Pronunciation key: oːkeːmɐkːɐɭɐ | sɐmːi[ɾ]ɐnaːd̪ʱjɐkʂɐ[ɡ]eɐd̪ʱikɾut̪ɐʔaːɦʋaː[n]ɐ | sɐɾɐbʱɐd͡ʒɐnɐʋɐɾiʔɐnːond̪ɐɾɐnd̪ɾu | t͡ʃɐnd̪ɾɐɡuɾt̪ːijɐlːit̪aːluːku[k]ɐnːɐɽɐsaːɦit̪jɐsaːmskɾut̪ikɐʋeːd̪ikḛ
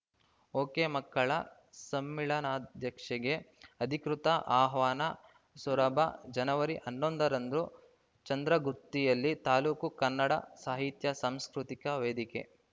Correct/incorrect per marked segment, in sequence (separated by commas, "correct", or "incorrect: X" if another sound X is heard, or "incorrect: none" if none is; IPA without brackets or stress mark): incorrect: ɭ, correct, correct, correct